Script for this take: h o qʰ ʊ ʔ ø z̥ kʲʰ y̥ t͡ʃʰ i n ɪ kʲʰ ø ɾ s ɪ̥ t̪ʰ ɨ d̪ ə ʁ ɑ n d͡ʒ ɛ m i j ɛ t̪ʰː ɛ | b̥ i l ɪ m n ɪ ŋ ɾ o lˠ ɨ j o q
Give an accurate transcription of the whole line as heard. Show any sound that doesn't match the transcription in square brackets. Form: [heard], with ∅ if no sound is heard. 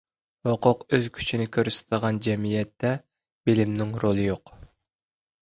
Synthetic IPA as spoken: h o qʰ ʊ [q] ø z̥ kʲʰ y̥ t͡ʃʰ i n ɪ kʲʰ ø ɾ s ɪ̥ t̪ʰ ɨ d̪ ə ʁ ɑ n d͡ʒ ɛ m i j ɛ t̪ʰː ɛ | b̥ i l ɪ m n ɪ ŋ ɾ o lˠ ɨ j o q